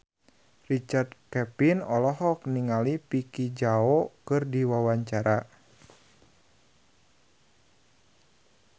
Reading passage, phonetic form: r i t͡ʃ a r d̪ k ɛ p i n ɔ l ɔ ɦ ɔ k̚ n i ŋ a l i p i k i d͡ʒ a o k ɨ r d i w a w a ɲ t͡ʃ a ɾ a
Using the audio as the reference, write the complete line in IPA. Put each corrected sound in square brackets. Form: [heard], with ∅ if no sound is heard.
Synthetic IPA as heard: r i t͡ʃ a r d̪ k ɛ p i n ɔ l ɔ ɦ ɔ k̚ n i ŋ a l i p i k i d͡ʒ a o k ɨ r d i w a w a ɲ t͡ʃ a ɾ a